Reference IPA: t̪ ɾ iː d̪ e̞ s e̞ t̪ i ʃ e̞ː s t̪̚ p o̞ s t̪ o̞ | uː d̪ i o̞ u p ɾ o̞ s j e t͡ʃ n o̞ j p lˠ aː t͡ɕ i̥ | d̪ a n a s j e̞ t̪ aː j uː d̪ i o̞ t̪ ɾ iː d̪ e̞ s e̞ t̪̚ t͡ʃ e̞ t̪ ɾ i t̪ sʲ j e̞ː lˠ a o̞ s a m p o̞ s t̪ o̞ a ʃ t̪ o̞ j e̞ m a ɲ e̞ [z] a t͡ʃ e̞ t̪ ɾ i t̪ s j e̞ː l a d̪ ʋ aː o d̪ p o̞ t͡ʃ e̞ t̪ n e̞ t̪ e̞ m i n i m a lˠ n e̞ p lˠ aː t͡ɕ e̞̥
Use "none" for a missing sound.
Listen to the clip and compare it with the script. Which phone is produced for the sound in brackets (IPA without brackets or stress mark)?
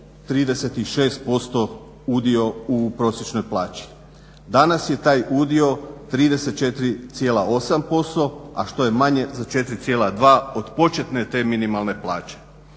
z